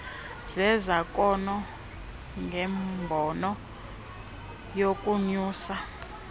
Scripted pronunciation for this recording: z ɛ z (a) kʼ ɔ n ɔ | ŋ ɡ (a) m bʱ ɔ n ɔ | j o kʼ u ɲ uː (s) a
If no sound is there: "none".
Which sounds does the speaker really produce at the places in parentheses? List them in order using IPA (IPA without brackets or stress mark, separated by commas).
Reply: a, ɛ, s